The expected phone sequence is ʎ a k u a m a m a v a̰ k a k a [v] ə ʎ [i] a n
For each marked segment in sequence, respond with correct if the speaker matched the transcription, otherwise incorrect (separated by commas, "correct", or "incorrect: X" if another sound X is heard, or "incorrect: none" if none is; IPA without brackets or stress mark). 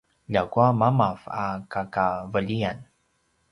correct, correct